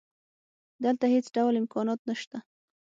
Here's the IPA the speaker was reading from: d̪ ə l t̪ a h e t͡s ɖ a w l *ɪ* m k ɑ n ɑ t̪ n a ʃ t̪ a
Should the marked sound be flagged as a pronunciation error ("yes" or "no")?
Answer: no